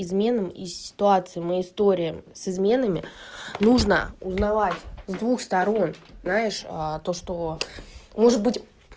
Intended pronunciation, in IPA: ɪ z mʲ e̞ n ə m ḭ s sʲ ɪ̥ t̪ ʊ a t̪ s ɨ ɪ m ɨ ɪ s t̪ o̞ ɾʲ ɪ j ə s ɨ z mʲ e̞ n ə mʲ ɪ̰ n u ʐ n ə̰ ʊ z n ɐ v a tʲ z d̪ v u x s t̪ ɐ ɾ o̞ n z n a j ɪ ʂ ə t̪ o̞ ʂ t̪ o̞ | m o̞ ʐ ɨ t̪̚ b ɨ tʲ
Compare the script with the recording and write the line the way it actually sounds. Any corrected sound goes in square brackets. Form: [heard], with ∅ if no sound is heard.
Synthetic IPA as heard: ɪ z mʲ e̞ n ə m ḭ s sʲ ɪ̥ t̪ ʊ a t̪ s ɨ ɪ m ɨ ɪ s t̪ o̞ ɾʲ ɪ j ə s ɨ z mʲ e̞ n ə mʲ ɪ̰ n u ʐ n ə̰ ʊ z n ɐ v a tʲ z d̪ v u x s t̪ ɐ ɾ o̞ n z n a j ɪ ʂ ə t̪ o̞ ʂ t̪ o̞ | m o̞ ʐ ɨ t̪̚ b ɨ tʲ